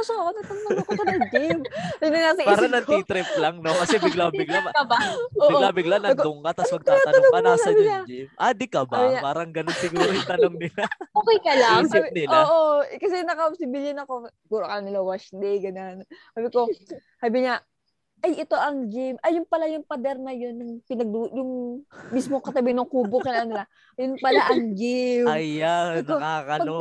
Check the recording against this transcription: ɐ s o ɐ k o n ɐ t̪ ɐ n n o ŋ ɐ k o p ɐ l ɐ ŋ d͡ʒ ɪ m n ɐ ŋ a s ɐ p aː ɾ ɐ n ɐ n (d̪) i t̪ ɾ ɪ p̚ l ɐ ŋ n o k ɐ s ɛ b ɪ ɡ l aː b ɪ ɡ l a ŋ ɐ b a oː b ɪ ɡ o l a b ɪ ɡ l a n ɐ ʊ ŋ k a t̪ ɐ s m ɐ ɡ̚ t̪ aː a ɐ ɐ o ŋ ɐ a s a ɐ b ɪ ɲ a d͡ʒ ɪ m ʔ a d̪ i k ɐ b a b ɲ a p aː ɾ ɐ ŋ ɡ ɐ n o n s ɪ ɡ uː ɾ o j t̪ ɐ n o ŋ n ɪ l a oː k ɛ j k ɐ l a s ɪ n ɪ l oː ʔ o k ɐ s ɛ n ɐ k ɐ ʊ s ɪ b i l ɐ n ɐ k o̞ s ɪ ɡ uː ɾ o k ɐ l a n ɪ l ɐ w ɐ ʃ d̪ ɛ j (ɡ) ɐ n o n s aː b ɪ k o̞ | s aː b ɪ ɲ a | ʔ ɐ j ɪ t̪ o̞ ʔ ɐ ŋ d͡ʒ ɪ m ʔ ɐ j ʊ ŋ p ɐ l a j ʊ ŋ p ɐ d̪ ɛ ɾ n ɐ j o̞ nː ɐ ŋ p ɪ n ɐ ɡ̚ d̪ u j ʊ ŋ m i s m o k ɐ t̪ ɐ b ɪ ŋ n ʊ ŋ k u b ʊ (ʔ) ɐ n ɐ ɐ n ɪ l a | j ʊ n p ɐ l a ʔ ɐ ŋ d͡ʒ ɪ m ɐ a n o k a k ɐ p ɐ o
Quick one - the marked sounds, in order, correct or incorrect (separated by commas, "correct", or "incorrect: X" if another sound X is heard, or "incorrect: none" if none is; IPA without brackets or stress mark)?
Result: incorrect: t̪, correct, incorrect: k